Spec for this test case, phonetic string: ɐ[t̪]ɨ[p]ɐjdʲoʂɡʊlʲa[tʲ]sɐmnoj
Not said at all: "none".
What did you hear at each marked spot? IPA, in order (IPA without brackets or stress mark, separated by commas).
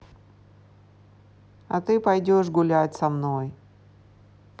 t̪, p, tʲ